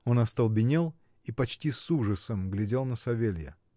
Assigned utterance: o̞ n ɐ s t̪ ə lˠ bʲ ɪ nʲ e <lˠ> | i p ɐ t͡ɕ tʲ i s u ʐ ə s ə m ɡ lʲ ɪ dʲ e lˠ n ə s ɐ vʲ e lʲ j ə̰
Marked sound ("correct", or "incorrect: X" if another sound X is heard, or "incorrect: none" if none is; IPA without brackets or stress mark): correct